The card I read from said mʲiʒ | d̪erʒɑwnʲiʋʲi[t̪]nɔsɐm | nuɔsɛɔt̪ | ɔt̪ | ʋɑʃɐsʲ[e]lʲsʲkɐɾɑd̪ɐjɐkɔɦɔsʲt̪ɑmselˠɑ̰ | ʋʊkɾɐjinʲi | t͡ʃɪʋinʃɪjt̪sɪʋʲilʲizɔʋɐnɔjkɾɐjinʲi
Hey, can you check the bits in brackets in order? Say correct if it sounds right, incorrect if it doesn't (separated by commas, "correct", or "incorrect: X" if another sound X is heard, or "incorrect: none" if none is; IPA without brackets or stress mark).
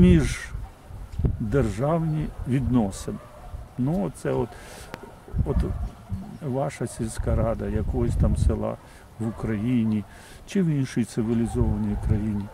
incorrect: d̪, incorrect: i